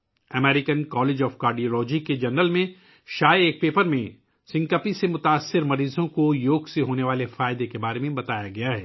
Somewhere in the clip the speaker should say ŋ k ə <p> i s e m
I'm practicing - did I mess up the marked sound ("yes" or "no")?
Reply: no